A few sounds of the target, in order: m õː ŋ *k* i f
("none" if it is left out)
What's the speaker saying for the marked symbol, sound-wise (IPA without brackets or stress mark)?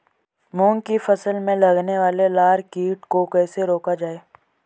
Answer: k